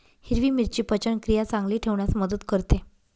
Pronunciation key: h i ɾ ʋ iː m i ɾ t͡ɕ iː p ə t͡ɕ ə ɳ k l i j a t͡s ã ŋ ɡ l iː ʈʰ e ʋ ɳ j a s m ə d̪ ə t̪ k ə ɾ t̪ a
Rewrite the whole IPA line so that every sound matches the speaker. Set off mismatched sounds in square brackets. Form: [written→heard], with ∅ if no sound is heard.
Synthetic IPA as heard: h i ɾ ʋ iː m i ɾ t͡ɕ iː p ə t͡ɕ ə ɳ k [l→ɾ] i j a t͡s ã ŋ ɡ l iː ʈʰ e ʋ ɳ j a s m ə d̪ ə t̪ k ə ɾ t̪ [a→e]